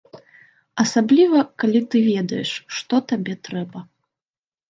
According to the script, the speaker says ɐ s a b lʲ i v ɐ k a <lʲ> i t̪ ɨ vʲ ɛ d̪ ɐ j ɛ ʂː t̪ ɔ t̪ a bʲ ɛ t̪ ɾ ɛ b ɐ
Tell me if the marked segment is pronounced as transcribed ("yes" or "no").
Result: yes